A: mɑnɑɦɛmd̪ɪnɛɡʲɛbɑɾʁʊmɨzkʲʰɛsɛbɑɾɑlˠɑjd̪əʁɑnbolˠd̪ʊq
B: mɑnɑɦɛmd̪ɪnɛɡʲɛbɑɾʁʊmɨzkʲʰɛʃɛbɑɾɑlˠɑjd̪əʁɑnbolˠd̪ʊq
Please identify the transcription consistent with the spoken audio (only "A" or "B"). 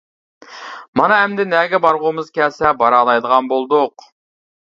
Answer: A